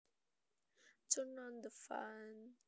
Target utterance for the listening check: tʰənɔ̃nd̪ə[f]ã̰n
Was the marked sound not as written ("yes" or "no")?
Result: no